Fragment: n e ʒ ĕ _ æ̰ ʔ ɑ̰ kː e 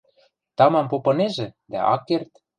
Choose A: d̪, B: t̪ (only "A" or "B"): A